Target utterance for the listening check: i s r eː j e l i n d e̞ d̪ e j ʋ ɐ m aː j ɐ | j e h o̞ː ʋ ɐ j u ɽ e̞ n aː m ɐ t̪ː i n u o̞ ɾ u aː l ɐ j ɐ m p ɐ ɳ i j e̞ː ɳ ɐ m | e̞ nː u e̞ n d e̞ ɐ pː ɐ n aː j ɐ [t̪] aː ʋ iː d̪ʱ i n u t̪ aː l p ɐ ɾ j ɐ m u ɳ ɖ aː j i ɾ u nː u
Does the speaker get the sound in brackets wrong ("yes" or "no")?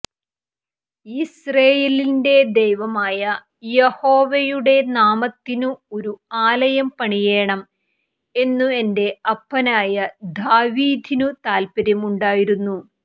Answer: yes